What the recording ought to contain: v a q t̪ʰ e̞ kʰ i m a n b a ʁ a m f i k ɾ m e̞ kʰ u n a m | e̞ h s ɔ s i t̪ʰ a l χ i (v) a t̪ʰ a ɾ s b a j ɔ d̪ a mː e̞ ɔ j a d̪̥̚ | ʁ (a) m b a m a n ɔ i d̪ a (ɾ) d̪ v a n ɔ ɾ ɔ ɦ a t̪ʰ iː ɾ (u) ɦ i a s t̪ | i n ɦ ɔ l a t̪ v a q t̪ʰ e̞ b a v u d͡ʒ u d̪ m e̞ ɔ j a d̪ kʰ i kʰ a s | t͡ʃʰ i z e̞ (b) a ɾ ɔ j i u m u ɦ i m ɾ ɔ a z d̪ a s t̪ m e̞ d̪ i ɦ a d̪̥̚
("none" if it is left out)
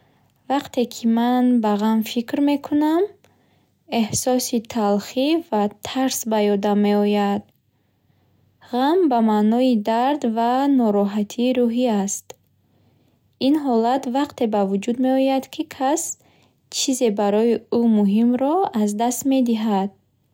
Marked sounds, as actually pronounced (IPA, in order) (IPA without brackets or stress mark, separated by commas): v, a, ɾ, u, b